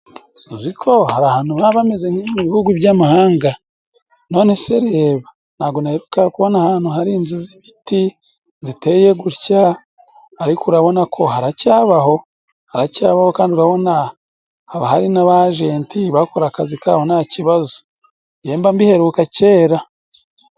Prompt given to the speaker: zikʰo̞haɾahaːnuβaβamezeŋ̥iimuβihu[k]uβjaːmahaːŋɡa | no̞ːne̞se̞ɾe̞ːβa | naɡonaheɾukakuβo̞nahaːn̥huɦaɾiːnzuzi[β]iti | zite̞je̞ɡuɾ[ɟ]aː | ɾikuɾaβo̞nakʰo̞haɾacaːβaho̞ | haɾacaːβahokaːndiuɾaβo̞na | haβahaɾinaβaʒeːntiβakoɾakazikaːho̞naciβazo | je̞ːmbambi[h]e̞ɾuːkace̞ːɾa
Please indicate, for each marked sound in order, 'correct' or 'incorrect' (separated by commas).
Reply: incorrect, correct, incorrect, correct